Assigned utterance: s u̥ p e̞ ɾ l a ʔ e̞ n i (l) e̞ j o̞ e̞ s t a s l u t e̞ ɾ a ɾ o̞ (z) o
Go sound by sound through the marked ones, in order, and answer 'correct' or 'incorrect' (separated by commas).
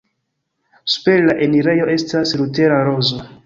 incorrect, correct